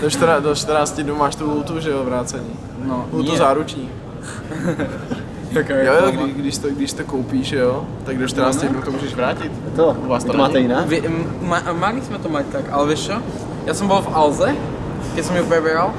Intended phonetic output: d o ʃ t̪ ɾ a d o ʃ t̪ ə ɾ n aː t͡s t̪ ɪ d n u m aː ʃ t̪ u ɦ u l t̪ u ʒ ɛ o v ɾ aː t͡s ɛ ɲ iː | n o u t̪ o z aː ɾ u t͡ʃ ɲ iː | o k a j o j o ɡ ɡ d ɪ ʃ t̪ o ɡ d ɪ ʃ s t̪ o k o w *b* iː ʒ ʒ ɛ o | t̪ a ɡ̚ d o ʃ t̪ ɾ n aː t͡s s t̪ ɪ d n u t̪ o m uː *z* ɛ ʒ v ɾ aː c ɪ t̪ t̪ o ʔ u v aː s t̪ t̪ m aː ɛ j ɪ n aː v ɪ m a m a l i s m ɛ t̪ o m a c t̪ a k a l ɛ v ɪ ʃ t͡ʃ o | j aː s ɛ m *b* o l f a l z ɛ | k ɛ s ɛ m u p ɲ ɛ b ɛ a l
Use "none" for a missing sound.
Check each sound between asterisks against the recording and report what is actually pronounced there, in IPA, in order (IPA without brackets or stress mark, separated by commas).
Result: p, ʒ, b